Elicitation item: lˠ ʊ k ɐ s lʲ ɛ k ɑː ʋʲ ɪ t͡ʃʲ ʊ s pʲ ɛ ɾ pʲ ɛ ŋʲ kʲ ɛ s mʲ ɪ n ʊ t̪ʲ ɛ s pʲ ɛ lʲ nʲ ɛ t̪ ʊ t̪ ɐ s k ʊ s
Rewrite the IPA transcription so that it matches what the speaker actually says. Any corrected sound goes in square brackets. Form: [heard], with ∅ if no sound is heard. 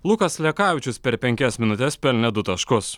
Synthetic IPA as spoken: lˠ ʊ k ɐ s lʲ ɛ k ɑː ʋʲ ɪ t͡ʃʲ ʊ s pʲ ɛ ɾ pʲ ɛ ŋʲ kʲ ɛ s mʲ ɪ n ʊ t̪ʲ ɛ s pʲ ɛ lʲ nʲ ɛ [d̪] ʊ t̪ ɐ [ʃ] k ʊ s

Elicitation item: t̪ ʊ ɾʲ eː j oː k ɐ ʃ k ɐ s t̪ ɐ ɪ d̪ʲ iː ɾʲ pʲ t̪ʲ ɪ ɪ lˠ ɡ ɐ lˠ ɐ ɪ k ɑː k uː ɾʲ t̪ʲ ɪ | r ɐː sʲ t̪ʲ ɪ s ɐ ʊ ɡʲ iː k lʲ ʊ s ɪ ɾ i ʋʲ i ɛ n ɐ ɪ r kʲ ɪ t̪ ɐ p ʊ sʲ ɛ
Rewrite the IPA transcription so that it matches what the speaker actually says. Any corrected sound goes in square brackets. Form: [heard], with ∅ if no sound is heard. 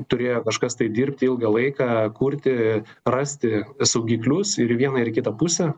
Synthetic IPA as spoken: t̪ ʊ ɾʲ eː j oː k ɐ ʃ k ɐ s t̪ ɐ ɪ d̪ʲ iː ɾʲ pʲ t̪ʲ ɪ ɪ lˠ ɡ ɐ lˠ ɐ ɪ k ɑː k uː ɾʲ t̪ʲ ɪ | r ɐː sʲ t̪ʲ ɪ s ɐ ʊ ɡʲ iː k lʲ ʊ s ɪ ɾ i ʋʲ i ɛ n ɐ ɪ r kʲ ɪ t̪ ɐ p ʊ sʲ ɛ

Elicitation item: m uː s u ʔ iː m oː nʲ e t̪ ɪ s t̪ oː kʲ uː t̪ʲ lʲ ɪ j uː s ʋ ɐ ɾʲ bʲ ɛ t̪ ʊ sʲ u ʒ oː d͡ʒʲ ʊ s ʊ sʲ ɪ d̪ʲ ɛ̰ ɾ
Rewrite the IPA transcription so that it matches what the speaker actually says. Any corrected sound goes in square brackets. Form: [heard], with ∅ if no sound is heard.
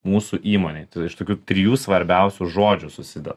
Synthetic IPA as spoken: m uː s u ʔ iː m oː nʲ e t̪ ɪ [ʃ] t̪ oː kʲ uː t̪ʲ [ɾʲ] ɪ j uː s ʋ ɐ ɾʲ bʲ ɛ [∅] ʊ sʲ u ʒ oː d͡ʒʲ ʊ s ʊ sʲ ɪ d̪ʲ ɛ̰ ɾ

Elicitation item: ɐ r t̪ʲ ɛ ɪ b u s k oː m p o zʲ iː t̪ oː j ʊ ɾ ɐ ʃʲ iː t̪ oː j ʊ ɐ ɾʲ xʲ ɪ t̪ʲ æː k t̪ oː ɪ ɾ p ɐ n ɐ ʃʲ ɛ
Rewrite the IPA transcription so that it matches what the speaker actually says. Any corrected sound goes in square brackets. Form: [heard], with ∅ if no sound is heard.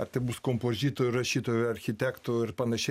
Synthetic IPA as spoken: ɐ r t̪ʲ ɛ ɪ b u s k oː m p o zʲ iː t̪ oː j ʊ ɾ ɐ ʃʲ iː t̪ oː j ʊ ɐ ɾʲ xʲ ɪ t̪ʲ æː k t̪ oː ɪ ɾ p ɐ n ɐ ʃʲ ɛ

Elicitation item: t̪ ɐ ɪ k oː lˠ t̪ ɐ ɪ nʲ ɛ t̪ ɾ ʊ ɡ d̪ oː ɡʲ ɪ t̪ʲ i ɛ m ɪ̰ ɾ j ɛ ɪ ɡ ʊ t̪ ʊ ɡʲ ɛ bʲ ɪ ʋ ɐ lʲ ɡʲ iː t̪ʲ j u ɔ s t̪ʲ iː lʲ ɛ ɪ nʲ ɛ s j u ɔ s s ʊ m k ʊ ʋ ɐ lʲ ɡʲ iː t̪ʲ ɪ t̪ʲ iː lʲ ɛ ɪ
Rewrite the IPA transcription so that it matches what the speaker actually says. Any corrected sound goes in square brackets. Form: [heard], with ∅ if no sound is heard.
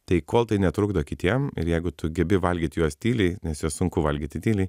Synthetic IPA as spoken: t̪ ɐ ɪ k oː lˠ t̪ ɐ ɪ nʲ ɛ t̪ ɾ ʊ ɡ d̪ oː [kʲ] ɪ t̪ʲ i ɛ m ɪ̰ ɾ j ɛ ɪ ɡ ʊ t̪ ʊ ɡʲ ɛ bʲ ɪ ʋ ɐ lʲ ɡʲ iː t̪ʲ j u ɔ s t̪ʲ iː lʲ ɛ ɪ nʲ ɛ s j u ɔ s s ʊ [ŋ] k ʊ ʋ ɐ lʲ ɡʲ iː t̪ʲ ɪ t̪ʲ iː lʲ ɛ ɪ

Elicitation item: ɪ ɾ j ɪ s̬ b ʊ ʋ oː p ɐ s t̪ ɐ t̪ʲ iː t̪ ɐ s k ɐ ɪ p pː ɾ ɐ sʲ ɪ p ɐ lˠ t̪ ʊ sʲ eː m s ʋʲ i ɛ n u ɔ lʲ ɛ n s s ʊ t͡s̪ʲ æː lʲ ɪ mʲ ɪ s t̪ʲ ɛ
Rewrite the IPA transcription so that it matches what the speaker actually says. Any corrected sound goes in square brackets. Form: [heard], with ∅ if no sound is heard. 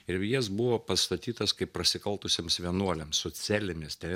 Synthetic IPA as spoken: ɪ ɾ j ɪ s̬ b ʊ ʋ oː p ɐ s t̪ ɐ t̪ʲ iː t̪ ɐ s k ɐ ɪ p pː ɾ ɐ sʲ ɪ [k] ɐ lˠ t̪ ʊ sʲ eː m s ʋʲ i ɛ n u ɔ lʲ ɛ [m] s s ʊ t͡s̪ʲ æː lʲ ɪ mʲ ɪ s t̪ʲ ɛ

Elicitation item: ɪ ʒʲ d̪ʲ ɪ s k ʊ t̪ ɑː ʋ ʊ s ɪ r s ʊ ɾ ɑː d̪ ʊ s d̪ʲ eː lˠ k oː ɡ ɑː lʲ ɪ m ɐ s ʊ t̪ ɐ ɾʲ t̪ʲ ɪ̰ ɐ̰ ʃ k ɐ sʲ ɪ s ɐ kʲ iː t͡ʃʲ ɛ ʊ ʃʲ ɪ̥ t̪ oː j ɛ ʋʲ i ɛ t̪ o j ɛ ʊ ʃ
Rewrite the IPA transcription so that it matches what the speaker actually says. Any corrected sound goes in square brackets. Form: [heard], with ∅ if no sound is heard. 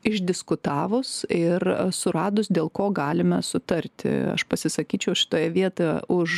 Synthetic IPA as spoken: ɪ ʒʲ d̪ʲ ɪ s k ʊ t̪ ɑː ʋ ʊ s ɪ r s ʊ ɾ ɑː d̪ ʊ s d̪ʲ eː lˠ k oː ɡ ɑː lʲ ɪ m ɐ s ʊ t̪ ɐ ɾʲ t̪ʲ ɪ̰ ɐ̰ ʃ [p] ɐ sʲ ɪ s ɐ kʲ iː t͡ʃʲ ɛ ʊ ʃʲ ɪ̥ t̪ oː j ɛ ʋʲ i ɛ t̪ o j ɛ ʊ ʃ

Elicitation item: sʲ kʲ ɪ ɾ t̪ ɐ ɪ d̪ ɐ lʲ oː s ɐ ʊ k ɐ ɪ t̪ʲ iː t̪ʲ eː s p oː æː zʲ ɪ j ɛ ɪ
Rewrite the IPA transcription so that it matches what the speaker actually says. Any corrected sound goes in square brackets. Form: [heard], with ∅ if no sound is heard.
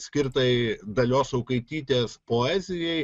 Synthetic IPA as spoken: sʲ kʲ ɪ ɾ t̪ ɐ ɪ d̪ ɐ lʲ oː s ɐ ʊ k ɐ ɪ t̪ʲ iː t̪ʲ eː s p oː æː zʲ ɪ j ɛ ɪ

